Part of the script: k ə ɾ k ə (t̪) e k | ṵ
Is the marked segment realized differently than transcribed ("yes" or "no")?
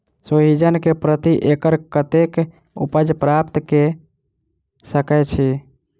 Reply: no